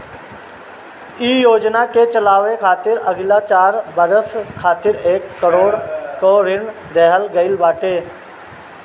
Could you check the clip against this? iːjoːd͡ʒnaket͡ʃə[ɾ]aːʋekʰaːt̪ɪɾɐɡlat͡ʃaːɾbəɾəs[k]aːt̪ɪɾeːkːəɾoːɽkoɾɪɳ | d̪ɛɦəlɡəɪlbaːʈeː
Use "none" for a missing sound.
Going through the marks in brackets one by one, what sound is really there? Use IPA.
l, kʰ

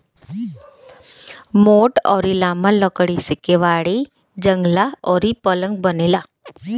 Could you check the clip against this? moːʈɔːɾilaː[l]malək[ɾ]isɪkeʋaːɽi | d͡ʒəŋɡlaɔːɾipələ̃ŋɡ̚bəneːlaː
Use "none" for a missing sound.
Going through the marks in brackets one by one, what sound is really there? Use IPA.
none, ɽ

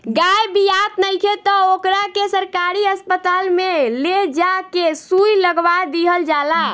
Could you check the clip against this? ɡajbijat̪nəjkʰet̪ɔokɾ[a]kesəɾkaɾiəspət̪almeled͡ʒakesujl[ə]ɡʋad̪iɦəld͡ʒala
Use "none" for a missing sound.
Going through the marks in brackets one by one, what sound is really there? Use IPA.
a, ə

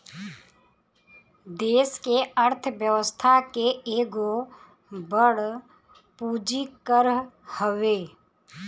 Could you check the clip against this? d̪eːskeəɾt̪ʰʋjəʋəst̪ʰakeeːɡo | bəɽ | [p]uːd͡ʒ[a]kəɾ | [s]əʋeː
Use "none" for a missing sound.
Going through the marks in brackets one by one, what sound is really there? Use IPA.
p, i, h

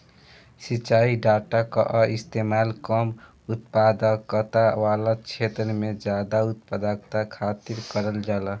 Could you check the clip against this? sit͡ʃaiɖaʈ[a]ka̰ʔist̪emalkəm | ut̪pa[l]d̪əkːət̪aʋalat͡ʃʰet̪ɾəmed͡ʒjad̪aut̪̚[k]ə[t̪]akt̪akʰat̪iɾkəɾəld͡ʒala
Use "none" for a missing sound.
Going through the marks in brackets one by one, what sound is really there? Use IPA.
a, none, p, d̪

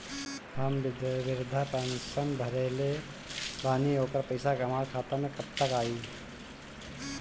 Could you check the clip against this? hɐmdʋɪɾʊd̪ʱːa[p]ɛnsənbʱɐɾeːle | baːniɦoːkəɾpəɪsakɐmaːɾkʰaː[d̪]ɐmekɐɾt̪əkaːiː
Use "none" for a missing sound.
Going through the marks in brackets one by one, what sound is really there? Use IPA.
p, t̪

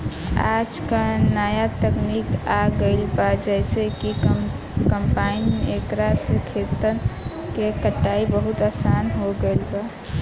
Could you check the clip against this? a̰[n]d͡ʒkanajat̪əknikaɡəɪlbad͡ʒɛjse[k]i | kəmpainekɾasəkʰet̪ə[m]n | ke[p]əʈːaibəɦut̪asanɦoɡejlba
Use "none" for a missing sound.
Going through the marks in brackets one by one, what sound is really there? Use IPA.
none, k, none, k

